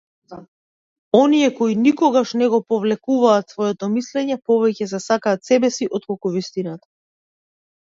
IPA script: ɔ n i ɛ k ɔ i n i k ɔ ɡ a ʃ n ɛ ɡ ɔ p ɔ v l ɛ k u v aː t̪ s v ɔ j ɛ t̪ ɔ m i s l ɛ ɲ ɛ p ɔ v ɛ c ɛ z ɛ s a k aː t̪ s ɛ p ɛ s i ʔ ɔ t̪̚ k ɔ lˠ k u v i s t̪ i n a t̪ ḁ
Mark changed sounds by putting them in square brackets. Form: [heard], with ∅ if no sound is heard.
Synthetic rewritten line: ɔ n i ɛ k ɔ i n i k ɔ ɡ a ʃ n ɛ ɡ ɔ p ɔ v l ɛ k u v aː t̪ s v ɔ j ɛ t̪ ɔ m i s l ɛ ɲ ɛ p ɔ v ɛ c ɛ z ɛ s a k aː t̪ s ɛ [b] ɛ s i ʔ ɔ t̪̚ k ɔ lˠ k u v i s t̪ i n a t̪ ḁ